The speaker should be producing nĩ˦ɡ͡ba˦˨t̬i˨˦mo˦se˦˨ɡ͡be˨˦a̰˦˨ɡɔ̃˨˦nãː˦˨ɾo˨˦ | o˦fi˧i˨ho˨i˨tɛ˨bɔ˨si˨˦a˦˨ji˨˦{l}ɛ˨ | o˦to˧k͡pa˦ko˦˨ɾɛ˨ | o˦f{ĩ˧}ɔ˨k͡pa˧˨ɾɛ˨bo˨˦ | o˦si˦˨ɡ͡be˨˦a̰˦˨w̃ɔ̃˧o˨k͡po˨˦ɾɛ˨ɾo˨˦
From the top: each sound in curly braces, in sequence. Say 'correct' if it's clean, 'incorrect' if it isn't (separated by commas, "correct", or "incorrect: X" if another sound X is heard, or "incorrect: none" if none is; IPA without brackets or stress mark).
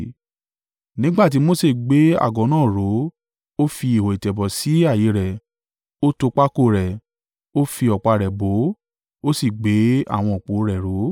incorrect: ɾ, incorrect: i˧